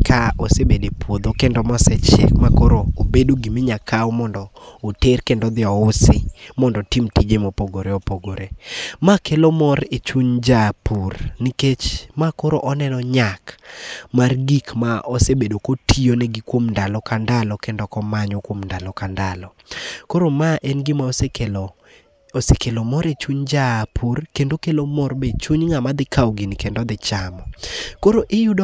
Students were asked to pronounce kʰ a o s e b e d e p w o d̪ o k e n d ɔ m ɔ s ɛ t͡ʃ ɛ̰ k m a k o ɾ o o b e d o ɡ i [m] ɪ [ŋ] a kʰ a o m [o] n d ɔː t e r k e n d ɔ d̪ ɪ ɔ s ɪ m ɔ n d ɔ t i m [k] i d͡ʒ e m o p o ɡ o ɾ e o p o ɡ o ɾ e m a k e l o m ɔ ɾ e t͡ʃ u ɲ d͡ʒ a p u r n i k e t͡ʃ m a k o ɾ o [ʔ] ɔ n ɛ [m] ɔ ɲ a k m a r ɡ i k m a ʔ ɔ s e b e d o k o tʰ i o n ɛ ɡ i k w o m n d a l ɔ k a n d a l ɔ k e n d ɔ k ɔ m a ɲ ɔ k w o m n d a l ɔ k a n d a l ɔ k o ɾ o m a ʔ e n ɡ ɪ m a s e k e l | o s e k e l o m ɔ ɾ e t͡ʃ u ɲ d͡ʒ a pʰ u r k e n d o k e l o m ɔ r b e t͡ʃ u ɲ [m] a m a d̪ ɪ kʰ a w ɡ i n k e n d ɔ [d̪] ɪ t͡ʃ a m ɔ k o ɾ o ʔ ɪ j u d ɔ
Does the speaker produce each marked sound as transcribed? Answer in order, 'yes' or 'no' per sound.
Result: yes, no, no, no, yes, no, no, yes

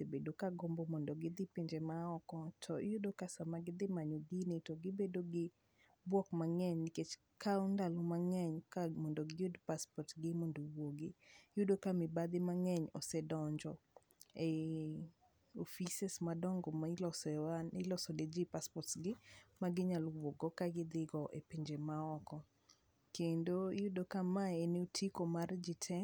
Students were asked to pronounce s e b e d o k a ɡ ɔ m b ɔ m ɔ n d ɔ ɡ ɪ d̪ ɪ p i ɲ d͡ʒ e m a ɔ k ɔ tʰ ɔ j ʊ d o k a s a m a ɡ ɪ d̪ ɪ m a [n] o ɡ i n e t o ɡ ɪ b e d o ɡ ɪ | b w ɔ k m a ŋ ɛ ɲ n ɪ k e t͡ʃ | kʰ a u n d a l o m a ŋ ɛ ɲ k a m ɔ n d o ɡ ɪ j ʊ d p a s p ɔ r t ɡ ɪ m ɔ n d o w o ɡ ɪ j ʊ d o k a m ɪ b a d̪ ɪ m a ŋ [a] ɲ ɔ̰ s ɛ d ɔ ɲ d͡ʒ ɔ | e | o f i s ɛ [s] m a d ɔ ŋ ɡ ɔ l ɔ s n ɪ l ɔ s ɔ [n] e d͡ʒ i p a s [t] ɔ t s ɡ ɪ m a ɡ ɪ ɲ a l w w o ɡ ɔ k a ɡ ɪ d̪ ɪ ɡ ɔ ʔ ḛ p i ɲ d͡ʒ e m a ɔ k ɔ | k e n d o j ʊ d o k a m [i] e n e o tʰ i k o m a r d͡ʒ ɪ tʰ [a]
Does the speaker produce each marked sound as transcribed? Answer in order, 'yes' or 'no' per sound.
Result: no, no, yes, no, no, no, no

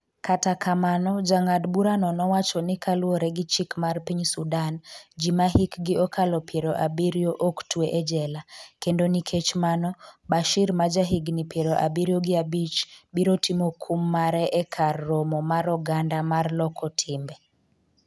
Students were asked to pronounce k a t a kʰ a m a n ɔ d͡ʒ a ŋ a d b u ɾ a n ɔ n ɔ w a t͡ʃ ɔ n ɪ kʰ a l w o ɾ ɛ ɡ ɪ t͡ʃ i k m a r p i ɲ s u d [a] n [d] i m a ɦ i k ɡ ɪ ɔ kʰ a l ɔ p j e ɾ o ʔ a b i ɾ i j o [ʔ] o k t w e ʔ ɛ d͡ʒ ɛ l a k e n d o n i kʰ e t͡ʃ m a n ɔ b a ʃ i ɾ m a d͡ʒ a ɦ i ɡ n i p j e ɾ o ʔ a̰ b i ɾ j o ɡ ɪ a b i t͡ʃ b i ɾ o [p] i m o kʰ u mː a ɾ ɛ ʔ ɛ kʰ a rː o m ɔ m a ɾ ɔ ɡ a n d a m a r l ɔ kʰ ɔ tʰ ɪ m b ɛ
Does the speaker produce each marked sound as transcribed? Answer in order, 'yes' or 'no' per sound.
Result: yes, no, yes, no

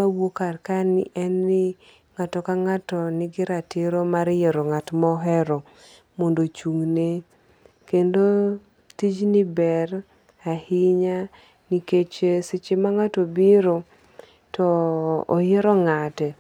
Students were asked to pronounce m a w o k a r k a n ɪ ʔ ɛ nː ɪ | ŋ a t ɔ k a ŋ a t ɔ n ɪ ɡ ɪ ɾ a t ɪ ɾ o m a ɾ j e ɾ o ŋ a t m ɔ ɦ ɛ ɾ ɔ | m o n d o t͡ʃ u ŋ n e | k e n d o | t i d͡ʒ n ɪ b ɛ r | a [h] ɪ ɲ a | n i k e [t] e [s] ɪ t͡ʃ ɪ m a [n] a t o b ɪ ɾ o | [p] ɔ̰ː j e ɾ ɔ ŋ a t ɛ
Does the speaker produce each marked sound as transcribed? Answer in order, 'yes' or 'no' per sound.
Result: yes, no, yes, no, no

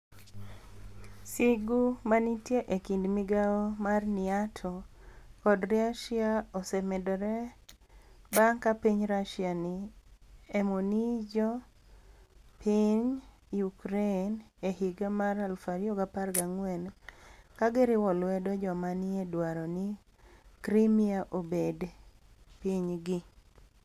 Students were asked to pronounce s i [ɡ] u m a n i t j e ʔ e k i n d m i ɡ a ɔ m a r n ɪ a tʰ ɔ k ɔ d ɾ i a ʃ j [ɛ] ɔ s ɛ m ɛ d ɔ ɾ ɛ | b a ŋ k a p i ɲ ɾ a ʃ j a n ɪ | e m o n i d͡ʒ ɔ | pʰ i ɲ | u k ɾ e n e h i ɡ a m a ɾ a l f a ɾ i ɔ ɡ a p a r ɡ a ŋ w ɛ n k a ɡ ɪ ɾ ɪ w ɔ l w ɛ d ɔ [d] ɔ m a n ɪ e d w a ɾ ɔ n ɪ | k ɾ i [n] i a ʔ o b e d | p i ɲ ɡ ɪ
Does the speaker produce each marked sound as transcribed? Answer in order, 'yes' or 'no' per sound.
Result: yes, no, no, no

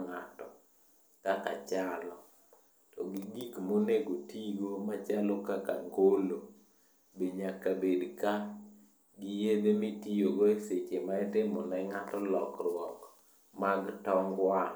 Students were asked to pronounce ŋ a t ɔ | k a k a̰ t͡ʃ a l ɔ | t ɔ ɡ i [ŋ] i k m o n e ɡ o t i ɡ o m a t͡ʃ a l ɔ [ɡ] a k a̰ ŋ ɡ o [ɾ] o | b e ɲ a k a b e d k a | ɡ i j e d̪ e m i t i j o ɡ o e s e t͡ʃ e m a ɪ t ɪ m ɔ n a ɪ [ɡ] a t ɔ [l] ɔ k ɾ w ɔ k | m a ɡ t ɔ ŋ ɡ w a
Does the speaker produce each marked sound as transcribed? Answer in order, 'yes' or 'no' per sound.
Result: no, no, no, no, yes

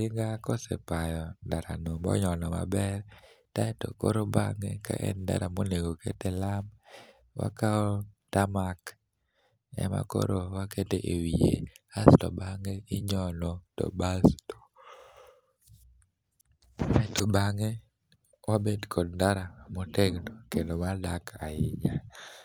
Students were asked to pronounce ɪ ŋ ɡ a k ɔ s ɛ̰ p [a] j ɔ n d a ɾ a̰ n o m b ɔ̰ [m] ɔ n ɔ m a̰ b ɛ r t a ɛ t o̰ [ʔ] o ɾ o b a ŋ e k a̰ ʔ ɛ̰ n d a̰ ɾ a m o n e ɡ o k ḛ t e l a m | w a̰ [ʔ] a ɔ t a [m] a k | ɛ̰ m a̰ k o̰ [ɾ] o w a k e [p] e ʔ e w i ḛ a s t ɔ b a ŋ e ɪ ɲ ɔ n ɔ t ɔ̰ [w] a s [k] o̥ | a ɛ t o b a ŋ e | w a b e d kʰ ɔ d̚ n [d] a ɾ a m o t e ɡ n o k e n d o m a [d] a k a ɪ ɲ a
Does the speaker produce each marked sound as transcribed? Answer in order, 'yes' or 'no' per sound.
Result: yes, no, no, no, yes, yes, no, no, no, yes, yes

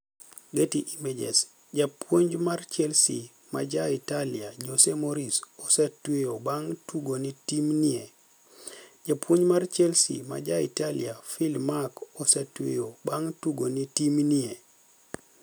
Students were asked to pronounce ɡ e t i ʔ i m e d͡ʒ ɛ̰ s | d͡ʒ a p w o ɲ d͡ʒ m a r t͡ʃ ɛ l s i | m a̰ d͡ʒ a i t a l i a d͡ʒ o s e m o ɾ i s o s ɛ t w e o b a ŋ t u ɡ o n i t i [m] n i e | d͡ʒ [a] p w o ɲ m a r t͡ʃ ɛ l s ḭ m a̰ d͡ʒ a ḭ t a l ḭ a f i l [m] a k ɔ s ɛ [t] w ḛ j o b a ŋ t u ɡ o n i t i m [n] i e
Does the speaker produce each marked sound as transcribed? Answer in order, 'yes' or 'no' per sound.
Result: yes, yes, yes, yes, yes

